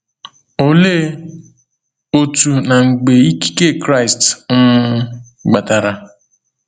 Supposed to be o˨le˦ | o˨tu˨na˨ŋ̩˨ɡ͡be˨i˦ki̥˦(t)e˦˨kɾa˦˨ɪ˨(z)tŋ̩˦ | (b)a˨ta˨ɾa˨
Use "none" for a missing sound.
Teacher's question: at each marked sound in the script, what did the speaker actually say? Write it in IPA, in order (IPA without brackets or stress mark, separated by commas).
k, s, ɡ͡b